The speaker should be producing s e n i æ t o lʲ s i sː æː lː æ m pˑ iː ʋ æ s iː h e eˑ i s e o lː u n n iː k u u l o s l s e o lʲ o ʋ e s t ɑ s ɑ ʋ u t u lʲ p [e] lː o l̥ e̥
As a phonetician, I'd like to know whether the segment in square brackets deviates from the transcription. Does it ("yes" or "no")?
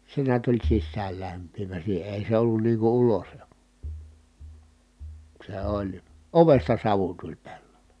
no